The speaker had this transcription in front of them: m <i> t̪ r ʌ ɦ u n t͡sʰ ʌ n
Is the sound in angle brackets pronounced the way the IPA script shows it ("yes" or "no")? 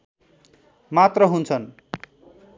no